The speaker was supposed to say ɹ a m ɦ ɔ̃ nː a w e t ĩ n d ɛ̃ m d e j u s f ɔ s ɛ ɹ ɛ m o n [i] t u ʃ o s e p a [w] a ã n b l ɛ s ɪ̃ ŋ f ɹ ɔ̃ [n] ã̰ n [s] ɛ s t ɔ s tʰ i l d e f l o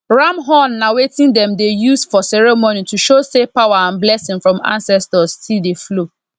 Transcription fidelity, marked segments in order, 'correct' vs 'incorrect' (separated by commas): correct, correct, incorrect, correct